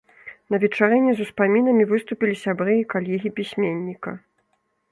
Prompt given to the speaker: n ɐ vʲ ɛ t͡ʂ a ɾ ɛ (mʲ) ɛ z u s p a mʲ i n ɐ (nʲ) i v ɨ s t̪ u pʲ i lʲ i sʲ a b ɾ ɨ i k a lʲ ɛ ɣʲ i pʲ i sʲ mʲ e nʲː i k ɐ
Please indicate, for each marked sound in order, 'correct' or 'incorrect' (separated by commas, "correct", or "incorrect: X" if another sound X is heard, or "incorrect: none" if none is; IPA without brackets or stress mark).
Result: incorrect: nʲ, incorrect: mʲ